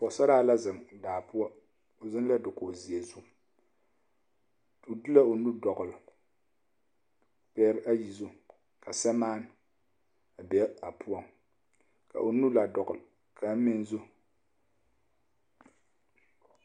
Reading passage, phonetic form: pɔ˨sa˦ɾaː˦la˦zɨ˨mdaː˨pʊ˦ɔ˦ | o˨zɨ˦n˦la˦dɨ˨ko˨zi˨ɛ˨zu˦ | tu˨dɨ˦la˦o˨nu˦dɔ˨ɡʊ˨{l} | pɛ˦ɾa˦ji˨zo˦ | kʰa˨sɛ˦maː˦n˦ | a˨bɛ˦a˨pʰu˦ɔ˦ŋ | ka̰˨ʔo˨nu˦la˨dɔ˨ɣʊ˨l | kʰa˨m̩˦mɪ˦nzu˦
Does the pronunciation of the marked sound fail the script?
no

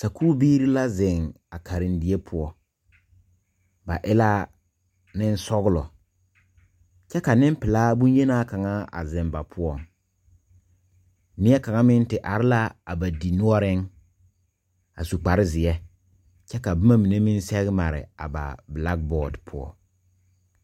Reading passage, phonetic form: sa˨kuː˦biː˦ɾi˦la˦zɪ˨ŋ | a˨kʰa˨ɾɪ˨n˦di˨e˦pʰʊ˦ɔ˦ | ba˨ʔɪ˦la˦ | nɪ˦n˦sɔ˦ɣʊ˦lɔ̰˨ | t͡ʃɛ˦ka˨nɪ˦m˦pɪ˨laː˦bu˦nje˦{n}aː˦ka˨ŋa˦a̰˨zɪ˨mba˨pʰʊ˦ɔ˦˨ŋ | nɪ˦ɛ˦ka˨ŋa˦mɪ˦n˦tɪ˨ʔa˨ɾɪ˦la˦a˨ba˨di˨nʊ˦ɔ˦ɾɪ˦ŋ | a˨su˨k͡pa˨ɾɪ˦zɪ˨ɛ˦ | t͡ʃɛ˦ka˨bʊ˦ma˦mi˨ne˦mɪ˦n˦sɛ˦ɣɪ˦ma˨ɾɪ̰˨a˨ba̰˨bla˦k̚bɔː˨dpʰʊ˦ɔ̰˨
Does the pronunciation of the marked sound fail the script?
no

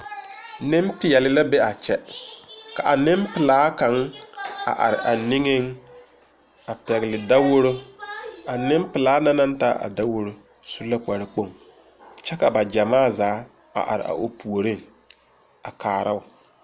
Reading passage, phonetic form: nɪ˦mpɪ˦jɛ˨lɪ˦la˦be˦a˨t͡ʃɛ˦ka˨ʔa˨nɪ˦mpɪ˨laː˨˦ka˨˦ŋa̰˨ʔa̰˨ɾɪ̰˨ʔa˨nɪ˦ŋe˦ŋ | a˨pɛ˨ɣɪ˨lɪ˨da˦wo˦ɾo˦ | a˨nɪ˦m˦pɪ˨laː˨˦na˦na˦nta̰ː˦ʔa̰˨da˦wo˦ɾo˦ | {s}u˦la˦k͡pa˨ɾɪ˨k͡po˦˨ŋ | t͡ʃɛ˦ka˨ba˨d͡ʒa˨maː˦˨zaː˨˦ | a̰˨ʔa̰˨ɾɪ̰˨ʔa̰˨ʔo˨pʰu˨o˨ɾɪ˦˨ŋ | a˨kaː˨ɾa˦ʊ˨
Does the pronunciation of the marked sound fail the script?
no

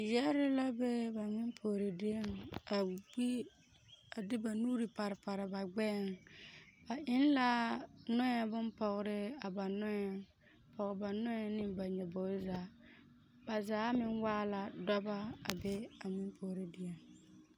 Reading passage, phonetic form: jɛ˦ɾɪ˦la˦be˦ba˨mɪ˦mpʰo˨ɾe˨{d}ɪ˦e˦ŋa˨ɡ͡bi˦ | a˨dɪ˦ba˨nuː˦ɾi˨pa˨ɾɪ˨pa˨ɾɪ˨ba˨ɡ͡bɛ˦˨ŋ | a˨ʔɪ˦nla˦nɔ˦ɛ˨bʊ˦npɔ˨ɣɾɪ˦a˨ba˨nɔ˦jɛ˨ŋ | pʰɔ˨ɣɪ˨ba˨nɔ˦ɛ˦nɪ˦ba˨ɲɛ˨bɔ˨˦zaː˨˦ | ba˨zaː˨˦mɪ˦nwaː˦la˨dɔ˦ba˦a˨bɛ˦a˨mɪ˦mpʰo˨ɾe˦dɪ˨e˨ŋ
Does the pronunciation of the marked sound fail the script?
no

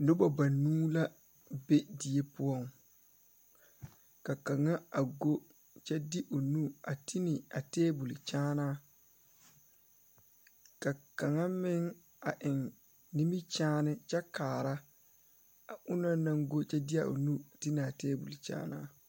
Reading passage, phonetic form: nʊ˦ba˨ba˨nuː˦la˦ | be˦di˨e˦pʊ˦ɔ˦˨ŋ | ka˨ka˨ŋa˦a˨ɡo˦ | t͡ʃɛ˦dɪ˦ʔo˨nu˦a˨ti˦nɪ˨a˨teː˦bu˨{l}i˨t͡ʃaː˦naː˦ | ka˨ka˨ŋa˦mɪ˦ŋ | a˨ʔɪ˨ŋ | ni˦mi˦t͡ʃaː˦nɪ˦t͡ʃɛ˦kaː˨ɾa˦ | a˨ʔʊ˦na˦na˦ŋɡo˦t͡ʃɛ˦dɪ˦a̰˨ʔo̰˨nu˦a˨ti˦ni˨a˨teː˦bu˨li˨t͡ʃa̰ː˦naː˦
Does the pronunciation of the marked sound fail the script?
no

